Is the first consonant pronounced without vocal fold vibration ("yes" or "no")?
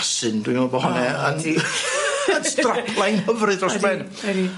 yes